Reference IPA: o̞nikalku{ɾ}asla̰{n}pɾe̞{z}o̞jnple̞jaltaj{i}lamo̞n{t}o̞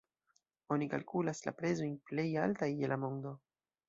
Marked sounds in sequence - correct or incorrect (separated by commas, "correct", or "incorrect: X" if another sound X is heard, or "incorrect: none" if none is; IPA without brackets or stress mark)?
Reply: incorrect: l, incorrect: none, correct, incorrect: e, incorrect: d